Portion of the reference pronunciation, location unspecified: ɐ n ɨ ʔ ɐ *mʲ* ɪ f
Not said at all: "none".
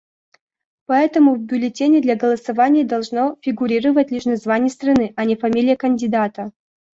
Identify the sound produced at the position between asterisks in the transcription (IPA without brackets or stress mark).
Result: nʲ